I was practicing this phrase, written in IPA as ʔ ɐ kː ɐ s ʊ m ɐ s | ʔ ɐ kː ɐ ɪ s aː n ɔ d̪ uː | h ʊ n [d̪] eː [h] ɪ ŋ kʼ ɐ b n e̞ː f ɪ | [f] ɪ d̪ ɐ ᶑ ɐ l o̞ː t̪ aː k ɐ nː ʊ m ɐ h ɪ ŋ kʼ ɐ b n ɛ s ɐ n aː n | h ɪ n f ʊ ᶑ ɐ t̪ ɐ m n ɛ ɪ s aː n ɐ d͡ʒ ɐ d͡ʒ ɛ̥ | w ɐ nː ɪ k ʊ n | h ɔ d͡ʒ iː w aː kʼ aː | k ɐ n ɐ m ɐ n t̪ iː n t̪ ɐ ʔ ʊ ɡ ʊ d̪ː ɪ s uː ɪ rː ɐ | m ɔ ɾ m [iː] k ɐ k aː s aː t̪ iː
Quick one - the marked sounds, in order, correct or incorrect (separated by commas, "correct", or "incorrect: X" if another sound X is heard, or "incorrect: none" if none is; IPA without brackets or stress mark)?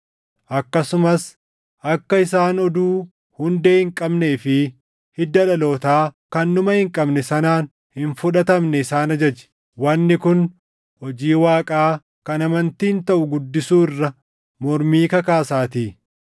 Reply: correct, correct, incorrect: h, correct